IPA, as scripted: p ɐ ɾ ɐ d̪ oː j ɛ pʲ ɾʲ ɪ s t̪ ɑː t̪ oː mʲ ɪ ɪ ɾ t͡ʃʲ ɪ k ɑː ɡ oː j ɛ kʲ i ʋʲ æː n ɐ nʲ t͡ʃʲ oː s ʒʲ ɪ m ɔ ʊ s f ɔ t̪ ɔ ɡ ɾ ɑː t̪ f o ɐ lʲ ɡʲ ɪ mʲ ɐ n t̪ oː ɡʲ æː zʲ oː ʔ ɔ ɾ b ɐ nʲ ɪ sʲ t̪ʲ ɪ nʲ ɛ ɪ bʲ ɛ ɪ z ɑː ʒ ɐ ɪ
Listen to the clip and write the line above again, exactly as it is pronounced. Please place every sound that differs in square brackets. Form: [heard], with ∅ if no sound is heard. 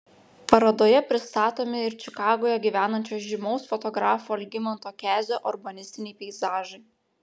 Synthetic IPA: p ɐ ɾ ɐ d̪ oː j ɛ pʲ ɾʲ ɪ s t̪ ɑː t̪ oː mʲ ɪ ɪ ɾ t͡ʃʲ ɪ k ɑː ɡ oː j ɛ [ɡʲ] i ʋʲ æː n ɐ nʲ t͡ʃʲ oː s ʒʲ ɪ m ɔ ʊ s f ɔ t̪ ɔ ɡ ɾ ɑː [∅] f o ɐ lʲ ɡʲ ɪ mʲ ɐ n t̪ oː [kʲ] æː zʲ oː ʔ ɔ ɾ b ɐ nʲ ɪ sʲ t̪ʲ ɪ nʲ ɛ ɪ [pʲ] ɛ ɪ z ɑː ʒ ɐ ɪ